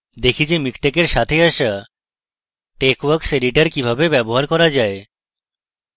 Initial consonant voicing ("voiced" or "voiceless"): voiced